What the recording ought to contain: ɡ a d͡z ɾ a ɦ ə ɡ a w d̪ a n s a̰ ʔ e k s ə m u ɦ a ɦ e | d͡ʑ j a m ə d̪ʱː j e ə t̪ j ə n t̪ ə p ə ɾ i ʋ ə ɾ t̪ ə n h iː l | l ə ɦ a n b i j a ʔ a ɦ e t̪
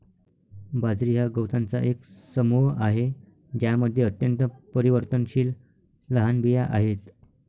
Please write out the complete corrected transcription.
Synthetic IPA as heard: b a d͡z ɾ i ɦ a ɡ ə w t̪ a n t͡s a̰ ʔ e k s ə m u ɦ a ɦ e | d͡ʑ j a m ə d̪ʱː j e ə t̪ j ə n t̪ ə p ə ɾ i ʋ ə ɾ t̪ ə n ɕ iː l | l ə ɦ a n b i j a ʔ a ɦ e t̪